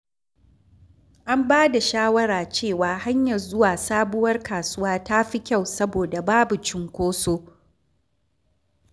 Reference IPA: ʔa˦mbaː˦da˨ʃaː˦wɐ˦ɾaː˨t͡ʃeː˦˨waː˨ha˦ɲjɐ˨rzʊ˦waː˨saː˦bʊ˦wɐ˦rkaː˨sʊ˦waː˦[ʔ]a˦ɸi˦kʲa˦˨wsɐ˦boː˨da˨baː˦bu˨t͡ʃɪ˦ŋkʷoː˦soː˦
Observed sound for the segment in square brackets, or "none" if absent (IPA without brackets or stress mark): t